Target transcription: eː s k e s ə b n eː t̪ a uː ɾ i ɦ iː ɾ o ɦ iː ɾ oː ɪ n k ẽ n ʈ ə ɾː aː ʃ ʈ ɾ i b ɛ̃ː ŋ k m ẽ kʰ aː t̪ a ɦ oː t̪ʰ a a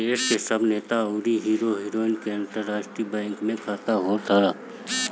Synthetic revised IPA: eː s k e s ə b n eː t̪ a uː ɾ i ɦ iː ɾ o ɦ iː ɾ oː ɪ n k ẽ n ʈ ə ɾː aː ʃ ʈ ɾ i b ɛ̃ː ŋ k m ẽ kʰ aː t̪ a ɦ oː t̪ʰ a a